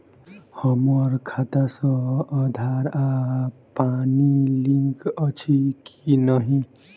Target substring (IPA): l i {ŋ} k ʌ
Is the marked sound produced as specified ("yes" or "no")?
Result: yes